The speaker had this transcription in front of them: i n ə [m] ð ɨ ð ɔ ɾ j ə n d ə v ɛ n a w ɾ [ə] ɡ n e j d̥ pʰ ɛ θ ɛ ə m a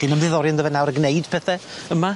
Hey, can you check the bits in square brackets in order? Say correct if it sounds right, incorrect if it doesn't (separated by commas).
correct, correct